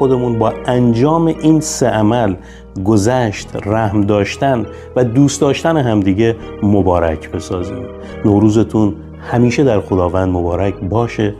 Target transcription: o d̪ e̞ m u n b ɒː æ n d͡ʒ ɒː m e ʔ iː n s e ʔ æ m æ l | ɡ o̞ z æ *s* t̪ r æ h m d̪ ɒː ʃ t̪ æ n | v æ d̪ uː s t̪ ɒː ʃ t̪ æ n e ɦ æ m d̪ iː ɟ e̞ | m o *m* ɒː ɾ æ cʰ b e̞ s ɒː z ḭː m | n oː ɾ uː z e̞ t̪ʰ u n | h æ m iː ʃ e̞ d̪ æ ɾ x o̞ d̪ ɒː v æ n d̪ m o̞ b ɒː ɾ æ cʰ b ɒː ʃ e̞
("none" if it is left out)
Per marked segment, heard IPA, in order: ʃ, b

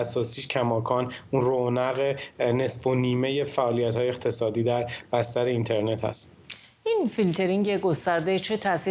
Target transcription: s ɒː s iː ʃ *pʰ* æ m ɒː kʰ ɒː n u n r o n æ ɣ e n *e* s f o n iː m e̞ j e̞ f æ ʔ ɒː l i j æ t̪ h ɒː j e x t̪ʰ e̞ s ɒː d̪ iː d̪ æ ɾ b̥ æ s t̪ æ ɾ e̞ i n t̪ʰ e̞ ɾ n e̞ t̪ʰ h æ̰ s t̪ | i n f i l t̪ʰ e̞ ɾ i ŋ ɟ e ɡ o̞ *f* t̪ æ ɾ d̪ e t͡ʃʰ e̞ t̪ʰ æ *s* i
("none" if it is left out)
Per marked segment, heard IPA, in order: cʰ, e, s, s

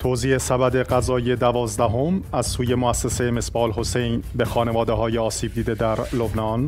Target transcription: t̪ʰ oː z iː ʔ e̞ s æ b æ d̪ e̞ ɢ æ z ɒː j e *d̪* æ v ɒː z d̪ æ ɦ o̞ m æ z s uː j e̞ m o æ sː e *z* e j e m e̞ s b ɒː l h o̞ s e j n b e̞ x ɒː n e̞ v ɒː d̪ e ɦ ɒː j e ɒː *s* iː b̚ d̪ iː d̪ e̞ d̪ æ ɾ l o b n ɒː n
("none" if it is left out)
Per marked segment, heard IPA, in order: d̪, s, s

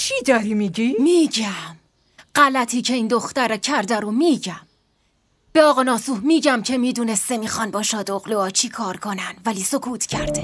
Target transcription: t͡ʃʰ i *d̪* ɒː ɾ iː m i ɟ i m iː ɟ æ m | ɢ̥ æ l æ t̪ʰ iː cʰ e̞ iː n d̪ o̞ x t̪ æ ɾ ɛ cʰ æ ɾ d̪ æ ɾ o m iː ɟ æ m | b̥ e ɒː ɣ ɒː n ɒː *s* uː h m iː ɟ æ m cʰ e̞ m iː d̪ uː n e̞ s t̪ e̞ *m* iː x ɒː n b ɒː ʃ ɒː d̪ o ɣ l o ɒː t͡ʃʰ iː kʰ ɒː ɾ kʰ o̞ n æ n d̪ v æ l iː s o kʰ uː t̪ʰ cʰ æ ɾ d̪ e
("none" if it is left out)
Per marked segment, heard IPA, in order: d̪, s, m

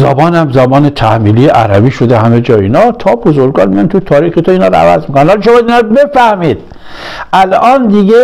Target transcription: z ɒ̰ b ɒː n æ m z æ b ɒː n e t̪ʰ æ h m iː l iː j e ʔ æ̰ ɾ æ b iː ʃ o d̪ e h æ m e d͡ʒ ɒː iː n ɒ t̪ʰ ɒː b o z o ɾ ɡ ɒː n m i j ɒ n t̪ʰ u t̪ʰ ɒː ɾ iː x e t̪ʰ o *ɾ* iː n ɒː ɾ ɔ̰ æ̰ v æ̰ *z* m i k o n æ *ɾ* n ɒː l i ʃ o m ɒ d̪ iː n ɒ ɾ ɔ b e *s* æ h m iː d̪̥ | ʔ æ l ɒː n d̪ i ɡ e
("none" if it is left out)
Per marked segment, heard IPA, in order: none, z, none, f

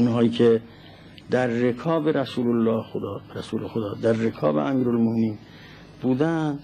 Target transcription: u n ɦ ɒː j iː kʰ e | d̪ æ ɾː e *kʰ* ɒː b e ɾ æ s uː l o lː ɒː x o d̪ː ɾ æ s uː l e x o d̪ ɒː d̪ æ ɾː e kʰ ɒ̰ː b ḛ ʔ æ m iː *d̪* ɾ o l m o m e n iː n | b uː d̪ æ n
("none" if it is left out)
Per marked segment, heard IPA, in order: kʰ, none

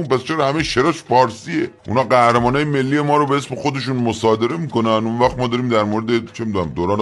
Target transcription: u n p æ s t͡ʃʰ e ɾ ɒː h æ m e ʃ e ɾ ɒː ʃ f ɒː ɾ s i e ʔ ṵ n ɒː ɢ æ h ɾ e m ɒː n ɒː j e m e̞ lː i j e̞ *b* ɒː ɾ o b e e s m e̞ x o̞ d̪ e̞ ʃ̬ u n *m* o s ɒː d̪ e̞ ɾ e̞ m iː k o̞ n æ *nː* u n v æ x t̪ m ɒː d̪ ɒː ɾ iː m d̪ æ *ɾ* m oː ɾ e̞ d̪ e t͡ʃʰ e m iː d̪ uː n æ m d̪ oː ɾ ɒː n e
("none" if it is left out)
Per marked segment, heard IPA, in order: m, m, n, ɾ

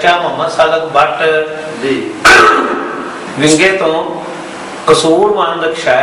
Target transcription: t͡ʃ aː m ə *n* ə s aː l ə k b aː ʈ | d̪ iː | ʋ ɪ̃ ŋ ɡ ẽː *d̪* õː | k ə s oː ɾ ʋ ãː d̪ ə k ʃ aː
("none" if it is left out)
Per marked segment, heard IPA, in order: m, t̪

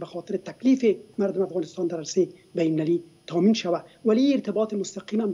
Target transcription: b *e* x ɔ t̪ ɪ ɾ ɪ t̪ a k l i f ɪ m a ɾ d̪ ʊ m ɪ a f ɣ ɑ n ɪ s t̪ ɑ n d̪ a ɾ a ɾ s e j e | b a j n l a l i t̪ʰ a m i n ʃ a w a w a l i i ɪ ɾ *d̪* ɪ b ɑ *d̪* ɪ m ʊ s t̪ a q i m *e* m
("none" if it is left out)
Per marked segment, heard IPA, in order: a, t̪, t̪, a

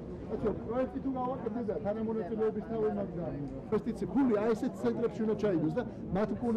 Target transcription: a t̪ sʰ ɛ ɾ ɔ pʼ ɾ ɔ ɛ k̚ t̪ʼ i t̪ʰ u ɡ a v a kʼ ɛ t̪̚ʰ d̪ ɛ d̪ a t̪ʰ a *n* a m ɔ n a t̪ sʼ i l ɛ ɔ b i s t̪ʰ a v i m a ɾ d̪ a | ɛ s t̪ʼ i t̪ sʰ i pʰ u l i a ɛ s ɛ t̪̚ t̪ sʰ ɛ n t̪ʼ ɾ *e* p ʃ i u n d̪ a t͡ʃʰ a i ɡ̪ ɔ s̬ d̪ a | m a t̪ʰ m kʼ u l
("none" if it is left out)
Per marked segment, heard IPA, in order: n, ɛ

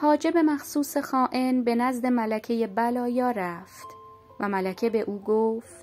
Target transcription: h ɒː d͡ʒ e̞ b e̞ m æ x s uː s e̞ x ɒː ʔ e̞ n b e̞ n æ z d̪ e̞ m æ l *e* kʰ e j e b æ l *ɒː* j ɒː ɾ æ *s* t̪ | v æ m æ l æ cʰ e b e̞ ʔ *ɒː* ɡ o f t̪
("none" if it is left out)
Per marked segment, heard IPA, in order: æ, ɒː, f, uː

